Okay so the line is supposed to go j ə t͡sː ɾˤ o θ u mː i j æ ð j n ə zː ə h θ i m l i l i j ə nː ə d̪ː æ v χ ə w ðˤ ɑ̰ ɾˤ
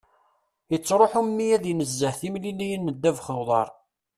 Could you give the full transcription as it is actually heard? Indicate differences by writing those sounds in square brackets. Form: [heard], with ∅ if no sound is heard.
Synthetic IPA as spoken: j ə t͡sː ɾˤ o [ħ] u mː i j æ ð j n ə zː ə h θ i m l i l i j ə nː ə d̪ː æ v χ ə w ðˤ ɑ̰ ɾˤ